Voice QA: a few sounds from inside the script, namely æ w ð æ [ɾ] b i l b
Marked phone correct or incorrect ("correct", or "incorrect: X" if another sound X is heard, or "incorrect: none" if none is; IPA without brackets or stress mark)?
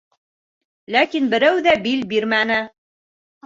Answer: incorrect: none